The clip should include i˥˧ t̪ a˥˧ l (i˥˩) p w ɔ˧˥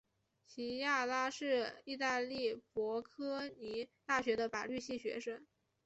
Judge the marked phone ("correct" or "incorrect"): correct